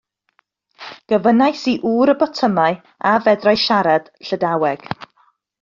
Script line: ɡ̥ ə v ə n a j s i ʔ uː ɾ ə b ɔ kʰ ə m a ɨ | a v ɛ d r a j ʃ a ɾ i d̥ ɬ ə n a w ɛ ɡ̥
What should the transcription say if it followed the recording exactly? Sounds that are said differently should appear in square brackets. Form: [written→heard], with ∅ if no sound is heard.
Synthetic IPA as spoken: ɡ̥ ə v ə n a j s i ʔ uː ɾ ə b ɔ [kʰ→tʰ] ə m a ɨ | a v ɛ d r a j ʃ a ɾ [i→a] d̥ ɬ ə [n→d] a w ɛ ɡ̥